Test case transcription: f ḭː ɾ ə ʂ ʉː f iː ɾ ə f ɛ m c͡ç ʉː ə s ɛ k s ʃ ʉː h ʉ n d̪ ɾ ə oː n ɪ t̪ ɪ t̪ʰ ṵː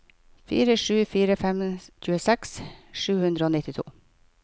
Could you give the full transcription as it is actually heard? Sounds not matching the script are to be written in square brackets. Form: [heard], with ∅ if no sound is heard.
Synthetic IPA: f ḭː ɾ ə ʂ ʉː f iː ɾ ə f ɛ m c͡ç ʉː ə s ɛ k s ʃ ʉː h ʉ n d̪ ɾ ə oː n ɪ t̪ ɪ t̪ʰ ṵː